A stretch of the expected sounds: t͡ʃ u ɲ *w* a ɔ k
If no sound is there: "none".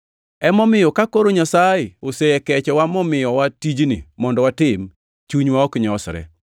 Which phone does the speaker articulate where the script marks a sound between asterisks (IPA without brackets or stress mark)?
w